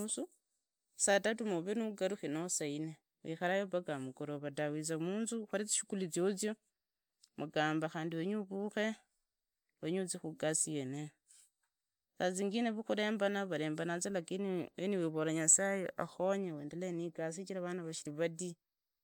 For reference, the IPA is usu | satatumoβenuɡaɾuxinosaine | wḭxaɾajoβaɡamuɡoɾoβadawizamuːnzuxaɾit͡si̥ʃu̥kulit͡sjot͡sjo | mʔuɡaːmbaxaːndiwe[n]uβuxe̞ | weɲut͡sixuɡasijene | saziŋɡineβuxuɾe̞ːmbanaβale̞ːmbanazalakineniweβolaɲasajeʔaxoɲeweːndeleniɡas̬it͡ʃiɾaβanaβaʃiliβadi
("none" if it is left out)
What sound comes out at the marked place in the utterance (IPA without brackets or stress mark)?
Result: ɲ